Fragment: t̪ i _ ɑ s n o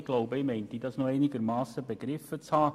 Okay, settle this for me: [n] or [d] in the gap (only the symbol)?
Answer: d